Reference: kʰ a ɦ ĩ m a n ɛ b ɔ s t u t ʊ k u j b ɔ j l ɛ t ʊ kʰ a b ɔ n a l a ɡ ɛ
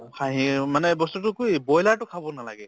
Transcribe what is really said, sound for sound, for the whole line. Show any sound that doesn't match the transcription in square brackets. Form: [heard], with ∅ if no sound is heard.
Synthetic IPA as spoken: kʰ a ɦ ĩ m a n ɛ b ɔ s t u t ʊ k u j b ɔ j l [a] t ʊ kʰ a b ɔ n a l a ɡ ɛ